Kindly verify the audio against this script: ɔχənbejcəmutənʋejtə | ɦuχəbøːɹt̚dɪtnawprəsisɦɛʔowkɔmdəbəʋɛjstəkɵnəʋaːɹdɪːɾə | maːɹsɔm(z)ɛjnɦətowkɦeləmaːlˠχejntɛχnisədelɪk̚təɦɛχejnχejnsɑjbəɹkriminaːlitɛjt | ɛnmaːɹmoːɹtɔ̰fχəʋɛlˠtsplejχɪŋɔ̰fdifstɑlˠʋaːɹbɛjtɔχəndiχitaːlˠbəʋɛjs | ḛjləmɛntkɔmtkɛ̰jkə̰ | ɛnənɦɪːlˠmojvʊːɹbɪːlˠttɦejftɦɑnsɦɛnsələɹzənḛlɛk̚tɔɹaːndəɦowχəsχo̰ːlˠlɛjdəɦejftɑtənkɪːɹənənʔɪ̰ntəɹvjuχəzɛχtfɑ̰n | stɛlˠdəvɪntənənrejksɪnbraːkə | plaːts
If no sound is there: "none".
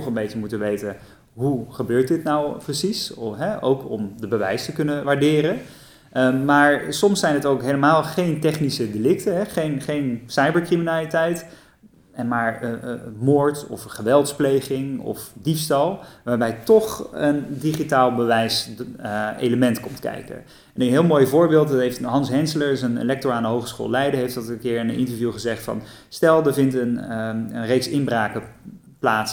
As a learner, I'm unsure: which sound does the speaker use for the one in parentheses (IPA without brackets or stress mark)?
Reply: s